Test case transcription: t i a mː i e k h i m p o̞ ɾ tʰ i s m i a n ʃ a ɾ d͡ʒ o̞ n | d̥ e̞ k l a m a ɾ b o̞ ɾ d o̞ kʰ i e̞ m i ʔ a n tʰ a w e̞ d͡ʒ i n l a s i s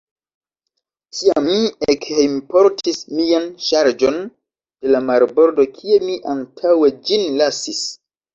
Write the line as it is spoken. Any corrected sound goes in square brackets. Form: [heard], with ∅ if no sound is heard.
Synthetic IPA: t i a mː i e k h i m p o̞ ɾ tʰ i s m i a n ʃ a ɾ d͡ʒ o̞ n | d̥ e̞ [∅] l a m a ɾ b o̞ ɾ d o̞ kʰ i e̞ m i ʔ a n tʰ a w e̞ d͡ʒ i n l a s i s